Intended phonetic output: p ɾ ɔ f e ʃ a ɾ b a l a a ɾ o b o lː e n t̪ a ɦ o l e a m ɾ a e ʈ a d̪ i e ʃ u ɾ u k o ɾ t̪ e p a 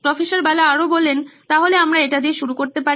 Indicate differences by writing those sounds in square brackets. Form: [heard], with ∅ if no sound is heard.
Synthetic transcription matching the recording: p ɾ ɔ f e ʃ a ɾ b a l a a ɾ o b o lː e n t̪ a ɦ o l e a m ɾ a e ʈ a d̪ i e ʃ u ɾ u k o ɾ t̪ e p a